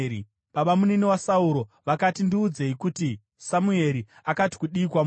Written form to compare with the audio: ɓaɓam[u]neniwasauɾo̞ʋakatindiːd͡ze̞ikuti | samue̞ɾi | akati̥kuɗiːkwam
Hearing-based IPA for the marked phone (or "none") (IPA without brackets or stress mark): u